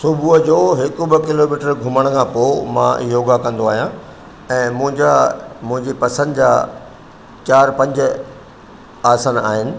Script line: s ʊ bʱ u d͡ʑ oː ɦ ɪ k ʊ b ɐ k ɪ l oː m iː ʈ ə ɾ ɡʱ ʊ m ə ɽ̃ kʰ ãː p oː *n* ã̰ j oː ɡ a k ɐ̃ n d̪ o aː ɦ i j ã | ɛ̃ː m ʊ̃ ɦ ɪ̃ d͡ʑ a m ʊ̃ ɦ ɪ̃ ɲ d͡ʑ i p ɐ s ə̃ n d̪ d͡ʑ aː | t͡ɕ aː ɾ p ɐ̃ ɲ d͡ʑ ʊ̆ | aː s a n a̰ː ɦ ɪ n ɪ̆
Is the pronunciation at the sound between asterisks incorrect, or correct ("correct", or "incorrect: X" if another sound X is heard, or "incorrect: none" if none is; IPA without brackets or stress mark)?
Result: incorrect: m